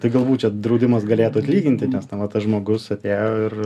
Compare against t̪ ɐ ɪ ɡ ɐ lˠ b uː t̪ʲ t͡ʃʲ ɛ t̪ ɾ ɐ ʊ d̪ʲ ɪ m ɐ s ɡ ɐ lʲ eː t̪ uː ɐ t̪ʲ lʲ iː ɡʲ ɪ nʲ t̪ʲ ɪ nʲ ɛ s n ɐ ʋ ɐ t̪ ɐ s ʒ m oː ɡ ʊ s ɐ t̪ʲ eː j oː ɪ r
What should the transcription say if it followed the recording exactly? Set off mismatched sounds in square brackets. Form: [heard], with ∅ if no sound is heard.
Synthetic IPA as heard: t̪ ɐ ɪ ɡ ɐ lˠ b uː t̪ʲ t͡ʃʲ ɛ [d̪] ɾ ɐ ʊ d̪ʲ ɪ m ɐ s ɡ ɐ lʲ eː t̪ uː ɐ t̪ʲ lʲ iː ɡʲ ɪ nʲ t̪ʲ ɪ nʲ ɛ s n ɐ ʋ ɐ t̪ ɐ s ʒ m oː ɡ ʊ s ɐ t̪ʲ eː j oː ɪ r